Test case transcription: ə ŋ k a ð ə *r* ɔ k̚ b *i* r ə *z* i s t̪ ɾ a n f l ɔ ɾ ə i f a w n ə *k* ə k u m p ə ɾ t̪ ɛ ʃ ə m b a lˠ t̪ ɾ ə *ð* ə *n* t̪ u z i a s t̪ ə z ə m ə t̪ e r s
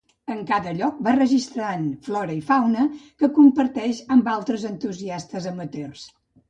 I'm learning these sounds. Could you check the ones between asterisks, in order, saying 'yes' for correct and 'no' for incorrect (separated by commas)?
no, no, no, yes, no, yes